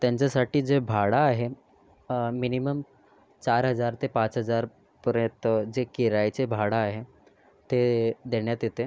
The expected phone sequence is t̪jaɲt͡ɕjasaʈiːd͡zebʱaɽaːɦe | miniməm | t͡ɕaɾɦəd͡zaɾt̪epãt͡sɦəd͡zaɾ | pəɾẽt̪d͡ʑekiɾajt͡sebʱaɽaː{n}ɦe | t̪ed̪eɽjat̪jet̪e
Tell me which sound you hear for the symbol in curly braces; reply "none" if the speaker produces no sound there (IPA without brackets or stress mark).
none